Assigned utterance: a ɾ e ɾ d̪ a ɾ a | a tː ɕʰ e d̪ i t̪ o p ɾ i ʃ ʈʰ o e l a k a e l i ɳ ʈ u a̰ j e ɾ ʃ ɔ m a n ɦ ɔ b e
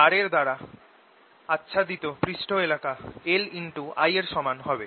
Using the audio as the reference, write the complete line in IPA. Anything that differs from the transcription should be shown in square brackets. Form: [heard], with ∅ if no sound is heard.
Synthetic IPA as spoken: a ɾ e ɾ d̪ a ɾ a | a tː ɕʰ [a] d̪ i t̪ o p ɾ i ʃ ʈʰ o e l a k a e l i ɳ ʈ u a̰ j e ɾ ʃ ɔ m a n ɦ ɔ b e